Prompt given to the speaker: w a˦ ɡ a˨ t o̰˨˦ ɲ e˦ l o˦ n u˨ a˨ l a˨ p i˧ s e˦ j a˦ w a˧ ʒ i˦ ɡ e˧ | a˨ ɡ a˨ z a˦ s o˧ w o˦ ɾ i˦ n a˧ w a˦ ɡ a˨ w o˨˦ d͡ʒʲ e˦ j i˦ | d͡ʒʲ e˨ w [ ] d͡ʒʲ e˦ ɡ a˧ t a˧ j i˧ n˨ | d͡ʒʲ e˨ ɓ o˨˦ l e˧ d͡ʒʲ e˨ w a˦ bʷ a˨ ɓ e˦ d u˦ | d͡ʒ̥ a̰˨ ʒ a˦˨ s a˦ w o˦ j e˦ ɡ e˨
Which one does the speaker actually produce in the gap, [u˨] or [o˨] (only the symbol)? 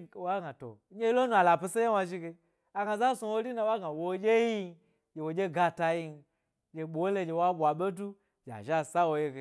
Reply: o˨